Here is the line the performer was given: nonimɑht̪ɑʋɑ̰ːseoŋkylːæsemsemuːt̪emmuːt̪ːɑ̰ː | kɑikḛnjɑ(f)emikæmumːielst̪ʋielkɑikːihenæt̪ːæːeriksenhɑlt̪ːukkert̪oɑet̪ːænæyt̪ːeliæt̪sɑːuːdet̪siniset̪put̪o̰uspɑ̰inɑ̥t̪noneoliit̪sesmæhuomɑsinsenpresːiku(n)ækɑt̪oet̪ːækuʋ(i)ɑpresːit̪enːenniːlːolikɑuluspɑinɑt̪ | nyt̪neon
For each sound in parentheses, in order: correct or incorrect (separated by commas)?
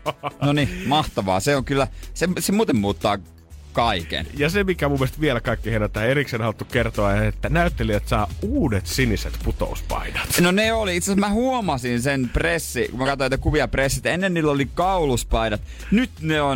incorrect, incorrect, correct